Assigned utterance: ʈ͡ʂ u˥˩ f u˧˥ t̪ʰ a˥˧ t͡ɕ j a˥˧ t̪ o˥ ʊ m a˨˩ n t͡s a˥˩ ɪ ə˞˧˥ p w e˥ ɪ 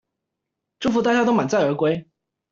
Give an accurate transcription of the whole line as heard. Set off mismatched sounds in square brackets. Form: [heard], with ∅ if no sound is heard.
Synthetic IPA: ʈ͡ʂ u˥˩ f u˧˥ [t̪] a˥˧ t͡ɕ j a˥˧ t̪ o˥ ʊ m a˨˩ n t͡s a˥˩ ɪ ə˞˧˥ [k] w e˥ ɪ

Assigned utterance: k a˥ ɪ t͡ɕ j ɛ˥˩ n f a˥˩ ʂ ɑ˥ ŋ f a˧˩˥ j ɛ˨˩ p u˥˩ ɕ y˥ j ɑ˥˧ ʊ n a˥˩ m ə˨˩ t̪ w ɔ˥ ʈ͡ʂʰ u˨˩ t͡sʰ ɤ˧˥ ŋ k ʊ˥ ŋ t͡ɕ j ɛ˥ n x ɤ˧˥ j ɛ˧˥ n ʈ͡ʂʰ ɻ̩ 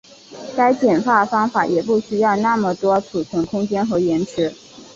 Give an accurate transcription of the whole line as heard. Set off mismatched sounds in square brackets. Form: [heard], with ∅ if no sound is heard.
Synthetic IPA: k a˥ ɪ t͡ɕ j [ɛ˨˩] n f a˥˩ [f] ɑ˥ ŋ f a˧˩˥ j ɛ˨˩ p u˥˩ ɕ y˥ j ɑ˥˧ ʊ n a˥˩ m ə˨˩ t̪ w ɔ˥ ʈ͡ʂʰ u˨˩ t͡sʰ ɤ˧˥ ŋ [kʰ] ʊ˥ ŋ t͡ɕ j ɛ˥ n x ɤ˧˥ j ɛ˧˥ n ʈ͡ʂʰ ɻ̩

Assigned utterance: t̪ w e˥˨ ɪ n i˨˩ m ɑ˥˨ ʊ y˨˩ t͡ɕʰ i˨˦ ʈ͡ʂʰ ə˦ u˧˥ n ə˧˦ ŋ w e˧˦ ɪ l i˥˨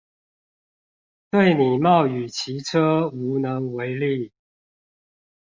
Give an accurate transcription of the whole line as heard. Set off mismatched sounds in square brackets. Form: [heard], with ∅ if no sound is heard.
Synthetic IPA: t̪ w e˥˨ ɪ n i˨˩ m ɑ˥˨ ʊ y˨˩ t͡ɕʰ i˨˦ ʈ͡ʂʰ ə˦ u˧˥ n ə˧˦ ŋ w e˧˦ ɪ l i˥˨

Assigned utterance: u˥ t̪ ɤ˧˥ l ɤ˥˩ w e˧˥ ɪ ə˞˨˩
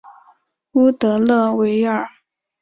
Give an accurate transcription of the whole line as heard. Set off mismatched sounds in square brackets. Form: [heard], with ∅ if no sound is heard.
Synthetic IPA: u˥ t̪ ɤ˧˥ l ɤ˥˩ w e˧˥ ɪ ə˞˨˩

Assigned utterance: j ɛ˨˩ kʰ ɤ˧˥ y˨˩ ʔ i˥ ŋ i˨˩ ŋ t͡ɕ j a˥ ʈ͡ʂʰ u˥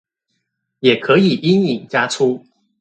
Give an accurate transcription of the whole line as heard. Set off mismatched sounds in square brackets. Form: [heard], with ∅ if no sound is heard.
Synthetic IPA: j ɛ˨˩ kʰ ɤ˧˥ [i˨˩] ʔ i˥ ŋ i˨˩ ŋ t͡ɕ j a˥ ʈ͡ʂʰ u˥

